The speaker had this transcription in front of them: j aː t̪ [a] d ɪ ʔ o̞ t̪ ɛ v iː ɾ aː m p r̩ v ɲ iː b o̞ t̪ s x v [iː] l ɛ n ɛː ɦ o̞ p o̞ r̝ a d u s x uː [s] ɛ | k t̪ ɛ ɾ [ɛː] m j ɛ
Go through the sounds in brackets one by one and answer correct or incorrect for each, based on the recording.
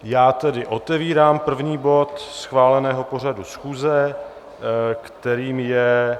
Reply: incorrect, incorrect, incorrect, incorrect

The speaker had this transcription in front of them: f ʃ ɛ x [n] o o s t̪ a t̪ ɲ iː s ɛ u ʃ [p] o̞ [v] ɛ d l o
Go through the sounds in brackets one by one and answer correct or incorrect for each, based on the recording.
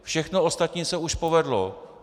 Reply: correct, correct, correct

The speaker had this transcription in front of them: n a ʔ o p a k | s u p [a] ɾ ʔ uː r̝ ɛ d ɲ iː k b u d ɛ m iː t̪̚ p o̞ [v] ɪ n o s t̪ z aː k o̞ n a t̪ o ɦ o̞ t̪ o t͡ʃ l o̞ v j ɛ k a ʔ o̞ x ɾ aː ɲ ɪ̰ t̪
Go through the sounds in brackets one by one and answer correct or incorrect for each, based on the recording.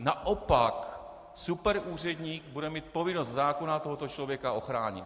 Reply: incorrect, correct

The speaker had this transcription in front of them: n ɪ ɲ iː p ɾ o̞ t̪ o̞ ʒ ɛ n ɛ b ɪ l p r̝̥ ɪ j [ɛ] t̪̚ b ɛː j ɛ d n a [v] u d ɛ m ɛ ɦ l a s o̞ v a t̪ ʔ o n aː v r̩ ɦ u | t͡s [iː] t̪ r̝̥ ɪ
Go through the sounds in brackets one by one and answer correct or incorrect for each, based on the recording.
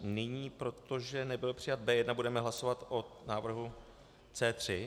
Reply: incorrect, incorrect, incorrect

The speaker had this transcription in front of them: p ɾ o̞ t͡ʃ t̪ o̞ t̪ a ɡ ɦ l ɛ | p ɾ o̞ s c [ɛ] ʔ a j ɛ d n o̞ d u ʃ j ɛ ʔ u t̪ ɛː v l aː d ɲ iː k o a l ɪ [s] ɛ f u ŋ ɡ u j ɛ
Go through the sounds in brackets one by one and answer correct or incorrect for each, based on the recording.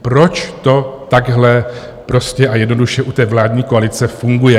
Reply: correct, incorrect

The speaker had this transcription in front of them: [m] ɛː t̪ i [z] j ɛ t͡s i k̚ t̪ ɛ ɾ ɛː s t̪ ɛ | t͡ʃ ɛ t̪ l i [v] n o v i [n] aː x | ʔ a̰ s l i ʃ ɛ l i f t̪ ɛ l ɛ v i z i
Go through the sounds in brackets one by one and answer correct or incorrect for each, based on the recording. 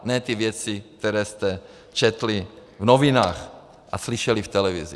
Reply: incorrect, incorrect, correct, correct

